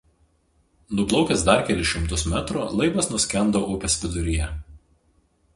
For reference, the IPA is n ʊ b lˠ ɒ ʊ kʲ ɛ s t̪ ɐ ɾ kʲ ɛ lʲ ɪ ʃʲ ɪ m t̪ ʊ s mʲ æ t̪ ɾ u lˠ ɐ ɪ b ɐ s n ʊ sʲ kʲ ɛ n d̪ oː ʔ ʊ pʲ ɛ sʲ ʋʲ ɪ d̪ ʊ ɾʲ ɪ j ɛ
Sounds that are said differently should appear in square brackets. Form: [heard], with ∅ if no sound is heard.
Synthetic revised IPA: n ʊ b lˠ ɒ ʊ kʲ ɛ s [d̪] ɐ ɾ kʲ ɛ lʲ ɪ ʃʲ ɪ m t̪ ʊ s mʲ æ t̪ ɾ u lˠ ɐ ɪ b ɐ s n ʊ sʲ kʲ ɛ n d̪ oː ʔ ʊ pʲ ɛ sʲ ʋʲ ɪ d̪ ʊ ɾʲ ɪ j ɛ